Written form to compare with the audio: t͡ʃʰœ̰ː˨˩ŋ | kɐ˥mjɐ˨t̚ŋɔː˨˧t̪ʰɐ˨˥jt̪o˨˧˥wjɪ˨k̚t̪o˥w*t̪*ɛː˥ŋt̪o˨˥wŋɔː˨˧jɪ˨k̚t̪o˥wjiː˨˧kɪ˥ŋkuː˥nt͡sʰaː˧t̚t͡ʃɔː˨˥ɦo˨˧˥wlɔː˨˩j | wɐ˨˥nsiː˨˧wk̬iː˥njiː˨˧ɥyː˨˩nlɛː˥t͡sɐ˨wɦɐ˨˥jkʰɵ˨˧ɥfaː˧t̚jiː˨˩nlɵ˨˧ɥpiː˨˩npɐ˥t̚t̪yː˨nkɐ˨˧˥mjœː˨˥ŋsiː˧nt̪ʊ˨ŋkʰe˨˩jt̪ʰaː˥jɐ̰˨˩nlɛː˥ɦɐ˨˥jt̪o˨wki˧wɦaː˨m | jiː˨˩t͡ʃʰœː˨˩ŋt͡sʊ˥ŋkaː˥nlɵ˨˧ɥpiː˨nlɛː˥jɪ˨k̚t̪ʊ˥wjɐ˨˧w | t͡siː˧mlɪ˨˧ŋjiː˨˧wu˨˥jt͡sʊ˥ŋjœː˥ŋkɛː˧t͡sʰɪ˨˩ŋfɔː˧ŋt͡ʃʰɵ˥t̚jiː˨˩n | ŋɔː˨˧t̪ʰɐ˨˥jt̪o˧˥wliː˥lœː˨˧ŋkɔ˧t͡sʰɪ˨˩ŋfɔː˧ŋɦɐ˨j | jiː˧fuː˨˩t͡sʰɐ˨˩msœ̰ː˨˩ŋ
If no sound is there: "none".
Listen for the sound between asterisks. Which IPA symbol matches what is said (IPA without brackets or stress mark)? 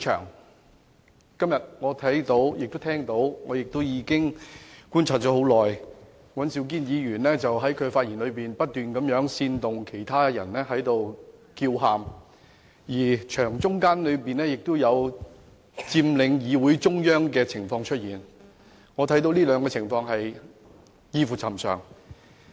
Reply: t̪ʰ